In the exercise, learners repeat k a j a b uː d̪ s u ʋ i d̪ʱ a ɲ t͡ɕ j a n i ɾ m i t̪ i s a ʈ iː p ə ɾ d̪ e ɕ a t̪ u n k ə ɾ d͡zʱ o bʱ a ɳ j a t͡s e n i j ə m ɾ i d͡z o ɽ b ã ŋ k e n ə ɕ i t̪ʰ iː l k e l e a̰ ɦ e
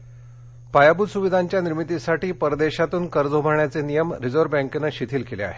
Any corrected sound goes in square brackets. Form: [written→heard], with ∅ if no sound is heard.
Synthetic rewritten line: [k→p] a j a b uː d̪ s u ʋ i d̪ʱ a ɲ t͡ɕ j a n i ɾ m i t̪ i s a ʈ iː p ə ɾ d̪ e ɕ a t̪ [u→uː] n k ə ɾ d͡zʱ o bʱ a ɳ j a t͡s e n i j ə m ɾ i d͡z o [ɽ→ɾ] b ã ŋ k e n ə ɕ i t̪ʰ iː l k e l e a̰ ɦ e